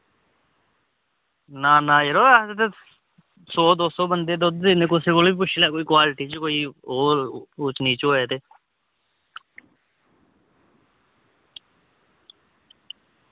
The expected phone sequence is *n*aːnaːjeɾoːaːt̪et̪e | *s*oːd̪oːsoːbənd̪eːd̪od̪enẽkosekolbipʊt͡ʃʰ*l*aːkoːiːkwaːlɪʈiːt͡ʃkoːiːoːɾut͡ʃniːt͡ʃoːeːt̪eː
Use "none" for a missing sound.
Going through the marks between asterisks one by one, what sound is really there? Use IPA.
n, s, l

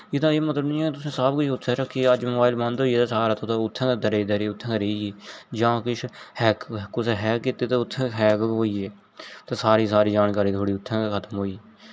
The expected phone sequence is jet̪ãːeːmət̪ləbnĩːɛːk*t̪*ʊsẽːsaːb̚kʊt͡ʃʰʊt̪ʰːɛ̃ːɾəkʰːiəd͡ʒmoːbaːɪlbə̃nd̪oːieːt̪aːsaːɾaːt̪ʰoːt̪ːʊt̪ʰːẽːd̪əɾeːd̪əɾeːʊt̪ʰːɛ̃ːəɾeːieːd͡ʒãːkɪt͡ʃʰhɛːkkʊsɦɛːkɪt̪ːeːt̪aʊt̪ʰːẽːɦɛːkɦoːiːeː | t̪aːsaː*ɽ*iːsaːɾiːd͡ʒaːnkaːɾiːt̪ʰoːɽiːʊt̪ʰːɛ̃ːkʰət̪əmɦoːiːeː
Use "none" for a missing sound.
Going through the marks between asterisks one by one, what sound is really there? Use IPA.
t̪, ɾ

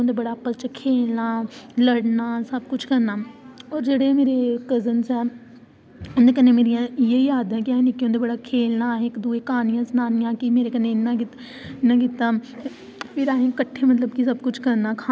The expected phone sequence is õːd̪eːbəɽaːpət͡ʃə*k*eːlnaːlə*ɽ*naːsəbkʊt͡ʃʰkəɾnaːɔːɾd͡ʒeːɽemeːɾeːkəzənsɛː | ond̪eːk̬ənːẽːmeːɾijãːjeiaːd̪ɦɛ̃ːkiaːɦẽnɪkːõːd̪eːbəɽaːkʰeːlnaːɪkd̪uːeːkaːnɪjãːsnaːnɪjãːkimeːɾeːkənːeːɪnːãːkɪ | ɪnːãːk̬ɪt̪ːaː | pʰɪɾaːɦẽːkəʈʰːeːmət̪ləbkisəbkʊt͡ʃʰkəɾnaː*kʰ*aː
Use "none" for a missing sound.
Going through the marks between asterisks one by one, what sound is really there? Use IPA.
kʰ, ɽ, kʰ

